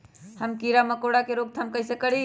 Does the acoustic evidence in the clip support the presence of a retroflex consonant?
yes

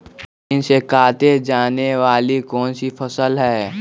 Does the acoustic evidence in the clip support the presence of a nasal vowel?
no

